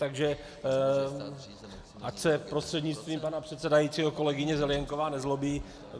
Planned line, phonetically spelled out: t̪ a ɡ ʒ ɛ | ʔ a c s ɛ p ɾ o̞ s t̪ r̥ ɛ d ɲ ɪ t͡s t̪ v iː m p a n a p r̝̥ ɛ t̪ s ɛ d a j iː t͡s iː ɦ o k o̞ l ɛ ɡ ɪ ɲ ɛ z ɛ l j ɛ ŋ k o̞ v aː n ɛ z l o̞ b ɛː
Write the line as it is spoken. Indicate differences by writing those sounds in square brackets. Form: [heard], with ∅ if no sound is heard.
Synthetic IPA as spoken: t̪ a ɡ ʒ ɛ | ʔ a c s ɛ p ɾ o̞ s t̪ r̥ ɛ d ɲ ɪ t͡s t̪ v iː m p a n a p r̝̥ ɛ t̪ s ɛ d a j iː t͡s iː ɦ o k o̞ l ɛ ɡ ɪ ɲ ɛ z ɛ l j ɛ ŋ k o̞ v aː n ɛ z l o̞ b [iː]